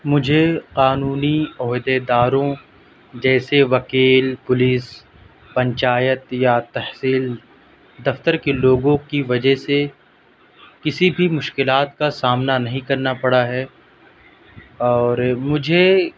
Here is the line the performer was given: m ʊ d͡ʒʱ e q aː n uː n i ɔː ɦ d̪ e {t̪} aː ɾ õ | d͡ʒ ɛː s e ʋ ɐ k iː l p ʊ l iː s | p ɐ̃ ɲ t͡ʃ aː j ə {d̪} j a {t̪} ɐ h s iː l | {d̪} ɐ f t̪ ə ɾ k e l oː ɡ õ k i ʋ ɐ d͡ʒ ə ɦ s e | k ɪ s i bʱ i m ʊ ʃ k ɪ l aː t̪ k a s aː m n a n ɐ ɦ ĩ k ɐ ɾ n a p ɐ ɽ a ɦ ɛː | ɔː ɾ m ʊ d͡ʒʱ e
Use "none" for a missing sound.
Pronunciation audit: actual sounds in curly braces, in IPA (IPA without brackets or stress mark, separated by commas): d̪, t̪, t̪, d̪